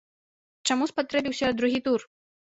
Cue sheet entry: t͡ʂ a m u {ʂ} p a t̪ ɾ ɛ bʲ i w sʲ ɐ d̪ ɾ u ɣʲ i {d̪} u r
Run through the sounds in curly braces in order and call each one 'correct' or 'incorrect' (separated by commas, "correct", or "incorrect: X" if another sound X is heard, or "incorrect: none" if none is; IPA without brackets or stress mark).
incorrect: s, incorrect: t̪